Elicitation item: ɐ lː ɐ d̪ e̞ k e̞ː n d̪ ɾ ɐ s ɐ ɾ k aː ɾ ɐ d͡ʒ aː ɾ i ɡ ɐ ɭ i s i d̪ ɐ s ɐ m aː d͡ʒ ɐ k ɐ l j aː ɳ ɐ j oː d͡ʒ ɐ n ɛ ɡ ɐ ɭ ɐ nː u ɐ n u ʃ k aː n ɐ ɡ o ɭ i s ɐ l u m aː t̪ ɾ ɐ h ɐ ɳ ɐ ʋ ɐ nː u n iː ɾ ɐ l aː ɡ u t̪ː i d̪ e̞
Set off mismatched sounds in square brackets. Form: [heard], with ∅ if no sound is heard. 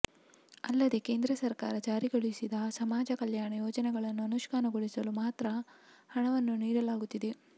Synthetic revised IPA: ɐ lː ɐ d̪ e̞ k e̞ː n d̪ ɾ ɐ s ɐ ɾ k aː ɾ ɐ d͡ʒ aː ɾ i ɡ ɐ ɭ i s i d̪ ɐ s ɐ m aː d͡ʒ ɐ k ɐ l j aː ɳ ɐ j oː d͡ʒ ɐ n ɛ ɡ ɐ ɭ ɐ nː u ɐ n u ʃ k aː n ɐ ɡ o ɭ i s ɐ l u m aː t̪ ɾ ɐ h ɐ ɳ ɐ ʋ ɐ nː u n iː ɾ ɐ l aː ɡ u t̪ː i d̪ e̞